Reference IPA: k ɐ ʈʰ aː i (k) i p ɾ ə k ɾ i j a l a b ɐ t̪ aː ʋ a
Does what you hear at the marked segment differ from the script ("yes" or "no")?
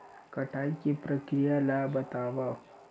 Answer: no